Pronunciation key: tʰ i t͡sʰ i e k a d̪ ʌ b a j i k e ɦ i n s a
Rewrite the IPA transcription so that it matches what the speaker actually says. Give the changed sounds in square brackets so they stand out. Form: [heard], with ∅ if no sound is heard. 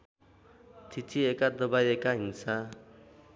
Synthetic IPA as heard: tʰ i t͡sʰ i e k a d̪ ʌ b a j [e] k [a] ɦ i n s a